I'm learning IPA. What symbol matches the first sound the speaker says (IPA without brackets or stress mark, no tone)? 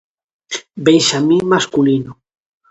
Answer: b